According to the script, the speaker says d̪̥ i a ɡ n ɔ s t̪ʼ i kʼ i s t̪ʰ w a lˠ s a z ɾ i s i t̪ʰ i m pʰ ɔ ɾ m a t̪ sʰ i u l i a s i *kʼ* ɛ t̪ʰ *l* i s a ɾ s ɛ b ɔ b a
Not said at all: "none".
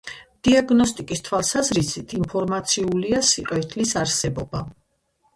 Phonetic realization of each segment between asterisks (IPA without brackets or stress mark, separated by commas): qʼ, l